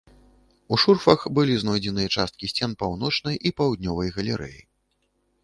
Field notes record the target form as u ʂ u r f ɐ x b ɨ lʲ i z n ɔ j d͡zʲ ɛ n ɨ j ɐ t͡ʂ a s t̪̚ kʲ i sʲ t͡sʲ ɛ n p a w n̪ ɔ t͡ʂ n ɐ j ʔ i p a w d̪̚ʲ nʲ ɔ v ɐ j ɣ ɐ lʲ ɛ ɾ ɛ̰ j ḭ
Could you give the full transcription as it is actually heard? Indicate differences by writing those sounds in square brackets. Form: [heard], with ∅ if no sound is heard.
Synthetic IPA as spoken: u ʂ u r f ɐ x b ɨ lʲ i z n ɔ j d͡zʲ ɛ n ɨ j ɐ t͡ʂ a s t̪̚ kʲ i sʲ t͡sʲ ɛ n p a w n̪ ɔ t͡ʂ n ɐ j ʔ i p a w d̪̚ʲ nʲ ɔ v ɐ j ɣ ɐ lʲ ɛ ɾ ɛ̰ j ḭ

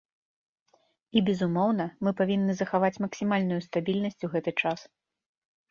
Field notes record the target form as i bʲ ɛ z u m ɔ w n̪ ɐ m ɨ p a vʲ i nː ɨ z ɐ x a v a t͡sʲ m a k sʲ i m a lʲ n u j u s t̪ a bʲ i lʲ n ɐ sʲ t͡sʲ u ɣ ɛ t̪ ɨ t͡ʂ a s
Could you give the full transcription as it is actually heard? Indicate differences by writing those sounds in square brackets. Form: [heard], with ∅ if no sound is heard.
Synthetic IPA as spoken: i bʲ ɛ z u m ɔ w n̪ ɐ m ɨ p a vʲ i nː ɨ z ɐ x a v a t͡sʲ m [ɐ] k sʲ i m a lʲ n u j u s t̪ a bʲ i lʲ n ɐ sʲ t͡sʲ u ɣ ɛ t̪ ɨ t͡ʂ a s

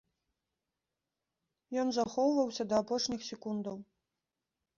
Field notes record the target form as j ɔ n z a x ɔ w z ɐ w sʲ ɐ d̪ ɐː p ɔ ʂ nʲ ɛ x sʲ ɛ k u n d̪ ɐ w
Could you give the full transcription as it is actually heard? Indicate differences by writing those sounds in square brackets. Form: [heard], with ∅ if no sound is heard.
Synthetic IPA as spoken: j ɔ n z a x ɔ w [v] ɐ w sʲ ɐ d̪ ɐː p ɔ ʂ nʲ [i] x sʲ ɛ k u n d̪ ɐ w

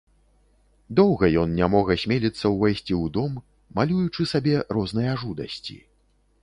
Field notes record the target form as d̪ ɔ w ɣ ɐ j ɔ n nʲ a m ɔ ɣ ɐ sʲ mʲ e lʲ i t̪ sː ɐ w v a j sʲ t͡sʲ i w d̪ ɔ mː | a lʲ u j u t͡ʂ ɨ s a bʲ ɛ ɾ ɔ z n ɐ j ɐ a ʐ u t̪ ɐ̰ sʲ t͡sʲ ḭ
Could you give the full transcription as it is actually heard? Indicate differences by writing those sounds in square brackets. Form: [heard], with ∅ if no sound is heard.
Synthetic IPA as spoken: d̪ ɔ w ɣ ɐ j ɔ n nʲ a m ɔ ɣ ɐ sʲ mʲ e lʲ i t̪ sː ɐ w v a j sʲ t͡sʲ i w d̪ ɔ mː | a lʲ u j u t͡ʂ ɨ s a bʲ ɛ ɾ ɔ z n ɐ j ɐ a ʐ u [d̪] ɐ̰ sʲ t͡sʲ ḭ

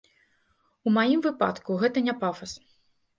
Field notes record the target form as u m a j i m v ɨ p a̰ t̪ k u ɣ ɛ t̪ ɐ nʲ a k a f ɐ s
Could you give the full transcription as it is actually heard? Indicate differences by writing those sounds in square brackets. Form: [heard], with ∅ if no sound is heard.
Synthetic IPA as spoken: u m a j i m v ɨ p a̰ t̪ k u ɣ ɛ t̪ ɐ nʲ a [p] a f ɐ s

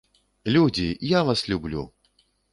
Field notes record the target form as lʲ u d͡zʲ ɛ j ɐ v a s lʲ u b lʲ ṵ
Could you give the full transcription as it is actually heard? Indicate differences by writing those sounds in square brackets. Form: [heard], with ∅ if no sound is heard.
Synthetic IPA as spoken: lʲ u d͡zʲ [i] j [a] v a s lʲ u b lʲ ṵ

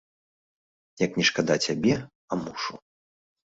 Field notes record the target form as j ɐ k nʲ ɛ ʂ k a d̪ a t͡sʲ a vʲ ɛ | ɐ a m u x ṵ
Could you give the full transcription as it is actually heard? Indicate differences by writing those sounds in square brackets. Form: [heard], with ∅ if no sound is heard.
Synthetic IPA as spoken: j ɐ k nʲ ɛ ʂ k a d̪ a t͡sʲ a [bʲ] ɛ | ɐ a m u [ʂ] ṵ

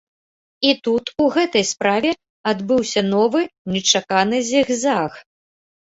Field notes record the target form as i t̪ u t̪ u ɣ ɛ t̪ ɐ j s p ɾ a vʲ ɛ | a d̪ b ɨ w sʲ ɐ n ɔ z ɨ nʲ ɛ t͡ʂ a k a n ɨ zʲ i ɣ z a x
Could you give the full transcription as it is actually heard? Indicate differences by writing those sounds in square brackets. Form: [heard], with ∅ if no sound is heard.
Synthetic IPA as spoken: i t̪ u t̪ u ɣ ɛ t̪ ɐ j s p ɾ a vʲ ɛ | a d̪ b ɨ w sʲ ɐ n ɔ [v] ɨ nʲ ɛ t͡ʂ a k a n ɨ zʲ i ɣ z a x

